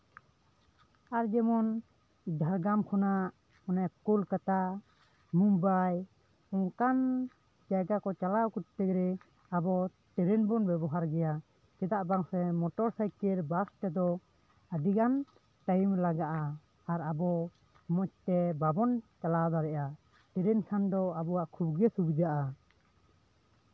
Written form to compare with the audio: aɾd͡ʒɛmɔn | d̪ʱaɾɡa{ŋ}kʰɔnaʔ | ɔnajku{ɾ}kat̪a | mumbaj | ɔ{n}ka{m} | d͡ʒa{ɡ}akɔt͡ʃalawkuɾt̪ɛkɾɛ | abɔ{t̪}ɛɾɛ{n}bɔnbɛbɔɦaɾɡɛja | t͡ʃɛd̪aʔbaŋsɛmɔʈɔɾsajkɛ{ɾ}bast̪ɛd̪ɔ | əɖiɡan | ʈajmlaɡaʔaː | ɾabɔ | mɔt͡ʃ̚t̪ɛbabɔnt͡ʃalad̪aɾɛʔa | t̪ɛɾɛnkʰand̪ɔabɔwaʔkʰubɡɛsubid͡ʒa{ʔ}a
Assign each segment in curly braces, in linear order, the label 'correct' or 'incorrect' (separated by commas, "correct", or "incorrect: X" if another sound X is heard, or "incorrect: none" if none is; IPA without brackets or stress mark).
incorrect: m, incorrect: l, incorrect: ŋ, incorrect: n, correct, correct, correct, correct, correct